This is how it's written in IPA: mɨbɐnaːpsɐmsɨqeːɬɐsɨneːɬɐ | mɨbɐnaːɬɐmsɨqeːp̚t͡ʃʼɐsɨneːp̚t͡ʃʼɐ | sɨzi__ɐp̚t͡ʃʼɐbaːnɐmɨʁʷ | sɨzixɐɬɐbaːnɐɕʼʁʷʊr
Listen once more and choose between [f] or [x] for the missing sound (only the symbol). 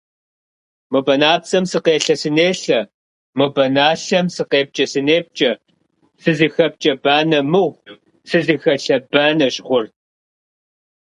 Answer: x